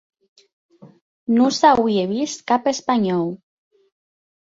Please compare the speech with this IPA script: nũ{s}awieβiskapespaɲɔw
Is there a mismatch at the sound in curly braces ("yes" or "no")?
no